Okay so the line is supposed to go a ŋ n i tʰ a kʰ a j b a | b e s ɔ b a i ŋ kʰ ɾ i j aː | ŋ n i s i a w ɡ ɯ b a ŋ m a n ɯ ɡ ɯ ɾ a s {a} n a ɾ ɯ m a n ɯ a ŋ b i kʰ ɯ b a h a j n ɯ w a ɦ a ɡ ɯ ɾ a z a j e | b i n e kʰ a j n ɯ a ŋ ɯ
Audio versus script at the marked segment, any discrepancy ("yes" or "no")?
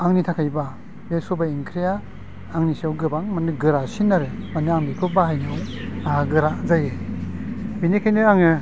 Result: yes